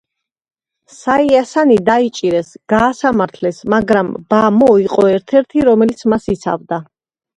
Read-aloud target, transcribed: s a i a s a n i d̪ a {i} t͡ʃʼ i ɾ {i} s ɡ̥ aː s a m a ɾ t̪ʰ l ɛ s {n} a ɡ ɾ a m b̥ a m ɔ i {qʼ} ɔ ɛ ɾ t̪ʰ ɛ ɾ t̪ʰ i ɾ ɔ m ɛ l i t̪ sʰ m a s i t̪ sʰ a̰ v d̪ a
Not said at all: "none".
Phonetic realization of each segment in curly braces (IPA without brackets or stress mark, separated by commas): i, ɛ, m, qʼ